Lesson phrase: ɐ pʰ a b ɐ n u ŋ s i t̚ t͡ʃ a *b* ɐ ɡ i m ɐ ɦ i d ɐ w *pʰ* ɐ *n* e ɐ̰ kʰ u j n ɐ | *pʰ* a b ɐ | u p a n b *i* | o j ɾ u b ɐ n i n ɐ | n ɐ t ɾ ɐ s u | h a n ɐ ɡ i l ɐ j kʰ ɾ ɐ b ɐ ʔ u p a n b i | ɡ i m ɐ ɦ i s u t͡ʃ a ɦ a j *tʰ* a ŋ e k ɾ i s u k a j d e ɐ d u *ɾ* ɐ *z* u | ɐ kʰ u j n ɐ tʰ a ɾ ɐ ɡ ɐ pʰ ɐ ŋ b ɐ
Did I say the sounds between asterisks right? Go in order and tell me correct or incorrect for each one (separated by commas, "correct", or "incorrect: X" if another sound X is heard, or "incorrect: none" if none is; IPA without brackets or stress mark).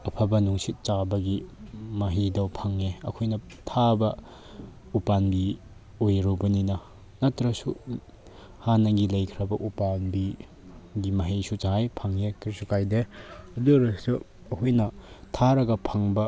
correct, correct, incorrect: ŋ, incorrect: tʰ, correct, incorrect: pʰ, correct, incorrect: s